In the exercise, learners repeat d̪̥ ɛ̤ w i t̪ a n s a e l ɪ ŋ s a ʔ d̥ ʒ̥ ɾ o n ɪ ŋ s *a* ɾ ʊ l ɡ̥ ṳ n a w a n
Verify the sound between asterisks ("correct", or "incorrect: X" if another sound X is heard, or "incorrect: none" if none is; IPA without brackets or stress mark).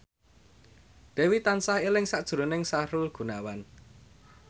correct